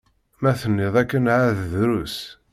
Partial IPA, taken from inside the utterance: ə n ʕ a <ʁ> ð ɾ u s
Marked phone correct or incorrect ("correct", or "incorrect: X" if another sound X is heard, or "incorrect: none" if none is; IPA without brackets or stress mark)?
incorrect: ð